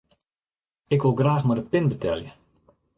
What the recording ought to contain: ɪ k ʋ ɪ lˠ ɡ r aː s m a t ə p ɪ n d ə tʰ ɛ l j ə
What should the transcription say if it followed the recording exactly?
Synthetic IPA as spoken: ɪ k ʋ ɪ lˠ ɡ r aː x m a d ə p ɪ n b ə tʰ ɛ l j ə